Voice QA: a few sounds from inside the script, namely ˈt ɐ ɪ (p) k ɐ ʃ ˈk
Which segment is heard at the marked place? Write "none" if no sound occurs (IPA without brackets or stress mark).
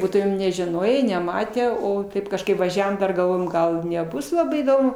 p